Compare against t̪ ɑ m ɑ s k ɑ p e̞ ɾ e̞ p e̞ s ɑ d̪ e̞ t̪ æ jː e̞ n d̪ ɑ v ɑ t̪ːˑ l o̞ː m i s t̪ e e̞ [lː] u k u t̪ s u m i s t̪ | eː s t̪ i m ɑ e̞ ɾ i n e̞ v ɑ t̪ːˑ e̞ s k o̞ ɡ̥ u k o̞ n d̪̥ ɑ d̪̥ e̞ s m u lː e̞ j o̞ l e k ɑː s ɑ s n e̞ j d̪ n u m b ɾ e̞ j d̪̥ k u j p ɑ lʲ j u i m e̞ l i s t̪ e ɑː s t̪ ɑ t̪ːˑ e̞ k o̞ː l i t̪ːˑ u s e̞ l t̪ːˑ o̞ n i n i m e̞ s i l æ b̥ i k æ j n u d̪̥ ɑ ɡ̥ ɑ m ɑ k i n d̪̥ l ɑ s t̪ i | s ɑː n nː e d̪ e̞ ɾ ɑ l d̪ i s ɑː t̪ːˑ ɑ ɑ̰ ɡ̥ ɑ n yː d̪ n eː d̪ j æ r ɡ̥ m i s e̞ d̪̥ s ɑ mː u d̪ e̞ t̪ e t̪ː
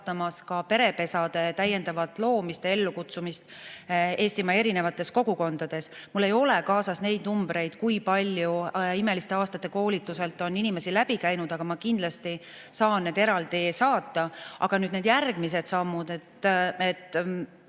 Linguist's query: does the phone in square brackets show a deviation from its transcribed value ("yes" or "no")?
no